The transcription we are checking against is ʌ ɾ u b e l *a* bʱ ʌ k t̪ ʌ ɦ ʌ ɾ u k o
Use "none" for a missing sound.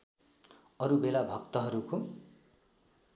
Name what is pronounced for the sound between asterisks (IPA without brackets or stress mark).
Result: a